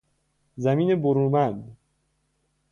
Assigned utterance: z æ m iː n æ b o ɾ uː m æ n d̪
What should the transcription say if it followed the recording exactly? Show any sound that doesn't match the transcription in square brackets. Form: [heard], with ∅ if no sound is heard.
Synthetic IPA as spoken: z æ m iː n [e] b o ɾ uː m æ n d̪